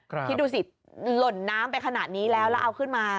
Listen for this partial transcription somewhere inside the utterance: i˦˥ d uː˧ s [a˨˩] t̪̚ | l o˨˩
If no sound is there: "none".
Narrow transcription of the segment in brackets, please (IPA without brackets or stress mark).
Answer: i˨˩